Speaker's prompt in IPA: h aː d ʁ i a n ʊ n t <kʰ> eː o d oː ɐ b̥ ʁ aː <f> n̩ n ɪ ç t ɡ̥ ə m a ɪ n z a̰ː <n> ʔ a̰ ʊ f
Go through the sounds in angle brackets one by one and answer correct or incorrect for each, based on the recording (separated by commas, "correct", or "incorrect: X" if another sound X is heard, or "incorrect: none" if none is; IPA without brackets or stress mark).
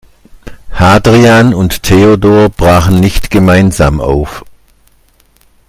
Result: incorrect: tʰ, incorrect: χ, incorrect: m